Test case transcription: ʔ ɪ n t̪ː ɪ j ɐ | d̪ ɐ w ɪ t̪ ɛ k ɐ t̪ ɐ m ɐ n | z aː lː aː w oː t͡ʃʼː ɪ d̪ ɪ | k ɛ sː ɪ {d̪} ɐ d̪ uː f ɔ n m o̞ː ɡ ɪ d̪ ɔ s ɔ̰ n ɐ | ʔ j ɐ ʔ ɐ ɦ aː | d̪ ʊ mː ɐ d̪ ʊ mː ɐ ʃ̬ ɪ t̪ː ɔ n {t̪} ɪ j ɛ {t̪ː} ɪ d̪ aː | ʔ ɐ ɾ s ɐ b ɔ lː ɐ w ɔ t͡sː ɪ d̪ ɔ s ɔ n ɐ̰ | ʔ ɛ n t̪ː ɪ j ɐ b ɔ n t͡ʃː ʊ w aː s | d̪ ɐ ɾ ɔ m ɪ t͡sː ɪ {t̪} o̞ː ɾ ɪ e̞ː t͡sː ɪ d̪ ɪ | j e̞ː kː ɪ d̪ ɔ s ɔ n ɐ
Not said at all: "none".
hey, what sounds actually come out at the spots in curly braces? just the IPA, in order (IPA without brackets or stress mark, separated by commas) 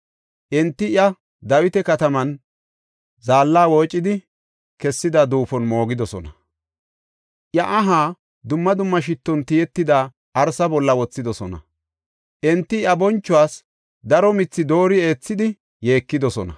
d̪, t̪, t̪ː, d̪